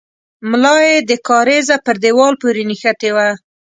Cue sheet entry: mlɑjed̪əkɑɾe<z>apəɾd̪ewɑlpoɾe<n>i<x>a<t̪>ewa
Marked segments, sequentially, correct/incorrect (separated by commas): correct, correct, correct, correct